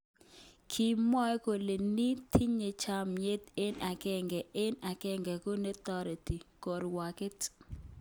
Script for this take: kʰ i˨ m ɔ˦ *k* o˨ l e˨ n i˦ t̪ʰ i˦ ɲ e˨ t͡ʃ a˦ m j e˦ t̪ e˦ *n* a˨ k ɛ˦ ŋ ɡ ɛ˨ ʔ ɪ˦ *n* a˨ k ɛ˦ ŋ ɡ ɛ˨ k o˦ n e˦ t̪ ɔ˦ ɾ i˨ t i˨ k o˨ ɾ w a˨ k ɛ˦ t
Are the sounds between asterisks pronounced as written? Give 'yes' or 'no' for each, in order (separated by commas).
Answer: yes, yes, yes